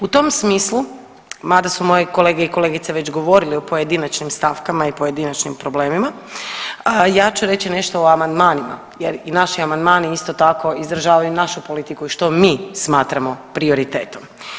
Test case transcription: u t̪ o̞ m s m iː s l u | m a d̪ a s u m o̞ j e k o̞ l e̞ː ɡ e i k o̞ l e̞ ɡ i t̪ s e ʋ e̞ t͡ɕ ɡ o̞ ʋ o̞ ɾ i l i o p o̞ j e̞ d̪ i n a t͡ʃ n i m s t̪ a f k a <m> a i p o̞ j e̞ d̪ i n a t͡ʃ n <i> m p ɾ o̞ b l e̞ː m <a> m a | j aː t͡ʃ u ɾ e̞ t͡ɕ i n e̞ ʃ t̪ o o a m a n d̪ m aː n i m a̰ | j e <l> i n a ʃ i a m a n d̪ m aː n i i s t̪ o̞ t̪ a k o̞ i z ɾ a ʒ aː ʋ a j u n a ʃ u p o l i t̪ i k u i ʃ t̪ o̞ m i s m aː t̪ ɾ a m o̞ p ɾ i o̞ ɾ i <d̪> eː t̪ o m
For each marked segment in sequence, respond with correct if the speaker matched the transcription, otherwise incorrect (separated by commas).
correct, correct, incorrect, incorrect, incorrect